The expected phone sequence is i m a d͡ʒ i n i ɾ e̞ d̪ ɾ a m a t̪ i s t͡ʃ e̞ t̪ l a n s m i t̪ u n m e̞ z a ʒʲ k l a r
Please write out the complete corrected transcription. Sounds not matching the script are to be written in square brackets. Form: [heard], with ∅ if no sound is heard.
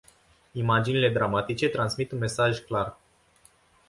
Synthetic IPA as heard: i m a d͡ʒ i n i [l] e̞ d̪ ɾ a m a t̪ i [∅] t͡ʃ e̞ t̪ [ɾ] a n s m i t̪ u n m e̞ [s] a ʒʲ k l a r